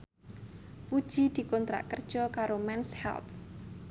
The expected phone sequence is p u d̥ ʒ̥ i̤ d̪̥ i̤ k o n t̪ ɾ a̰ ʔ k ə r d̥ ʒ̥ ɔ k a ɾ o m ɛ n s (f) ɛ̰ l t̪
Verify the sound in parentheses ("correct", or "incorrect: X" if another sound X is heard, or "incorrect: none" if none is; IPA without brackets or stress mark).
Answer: incorrect: h